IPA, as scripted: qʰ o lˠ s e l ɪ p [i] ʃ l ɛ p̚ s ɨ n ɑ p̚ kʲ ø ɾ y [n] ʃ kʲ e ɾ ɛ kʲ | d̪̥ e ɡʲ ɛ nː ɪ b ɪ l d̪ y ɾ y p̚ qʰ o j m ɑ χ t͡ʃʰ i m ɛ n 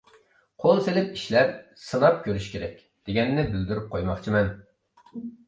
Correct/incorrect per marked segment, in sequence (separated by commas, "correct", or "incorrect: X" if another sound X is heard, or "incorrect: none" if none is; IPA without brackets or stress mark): correct, incorrect: none